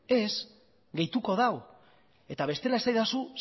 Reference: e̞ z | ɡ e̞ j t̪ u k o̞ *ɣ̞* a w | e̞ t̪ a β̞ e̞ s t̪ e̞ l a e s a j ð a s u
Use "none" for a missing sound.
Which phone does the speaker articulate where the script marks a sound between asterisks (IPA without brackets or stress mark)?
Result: ð̞